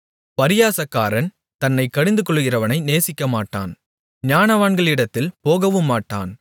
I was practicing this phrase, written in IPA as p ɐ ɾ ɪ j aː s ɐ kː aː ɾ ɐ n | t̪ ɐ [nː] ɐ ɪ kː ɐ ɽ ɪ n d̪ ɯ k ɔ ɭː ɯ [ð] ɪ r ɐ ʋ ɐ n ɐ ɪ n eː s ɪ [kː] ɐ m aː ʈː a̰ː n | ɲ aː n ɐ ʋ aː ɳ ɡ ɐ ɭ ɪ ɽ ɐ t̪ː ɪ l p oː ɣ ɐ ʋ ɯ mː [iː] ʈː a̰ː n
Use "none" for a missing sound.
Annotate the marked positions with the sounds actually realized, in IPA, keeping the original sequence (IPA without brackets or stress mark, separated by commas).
nː, ɣ, kː, aː